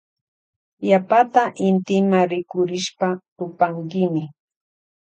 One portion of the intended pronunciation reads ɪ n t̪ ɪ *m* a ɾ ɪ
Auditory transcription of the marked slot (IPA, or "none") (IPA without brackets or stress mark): m